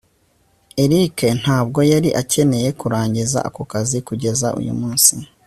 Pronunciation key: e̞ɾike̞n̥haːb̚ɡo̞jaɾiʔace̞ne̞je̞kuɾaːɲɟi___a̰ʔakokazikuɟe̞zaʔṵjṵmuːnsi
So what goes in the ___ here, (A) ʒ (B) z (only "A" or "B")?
B